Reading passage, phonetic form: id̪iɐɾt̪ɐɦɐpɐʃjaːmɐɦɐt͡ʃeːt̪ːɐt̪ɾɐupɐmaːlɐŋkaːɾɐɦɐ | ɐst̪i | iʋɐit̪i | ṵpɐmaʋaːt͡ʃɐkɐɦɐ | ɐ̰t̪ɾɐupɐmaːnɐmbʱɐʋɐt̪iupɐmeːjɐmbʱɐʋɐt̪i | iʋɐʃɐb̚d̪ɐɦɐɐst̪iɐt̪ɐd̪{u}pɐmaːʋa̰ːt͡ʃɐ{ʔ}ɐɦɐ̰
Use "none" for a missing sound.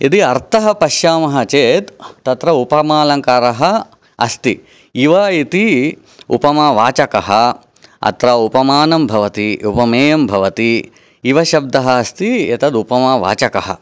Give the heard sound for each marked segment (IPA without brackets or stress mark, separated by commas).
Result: u, k